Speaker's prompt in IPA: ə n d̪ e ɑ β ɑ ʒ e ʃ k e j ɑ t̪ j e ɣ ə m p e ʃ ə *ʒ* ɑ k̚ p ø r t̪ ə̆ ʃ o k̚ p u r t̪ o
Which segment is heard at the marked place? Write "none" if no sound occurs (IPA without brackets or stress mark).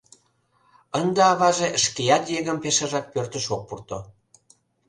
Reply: ʒ